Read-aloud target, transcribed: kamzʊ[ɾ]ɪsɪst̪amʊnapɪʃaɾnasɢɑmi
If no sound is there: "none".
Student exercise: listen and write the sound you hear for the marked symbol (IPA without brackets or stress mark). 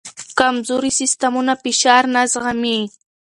ɾ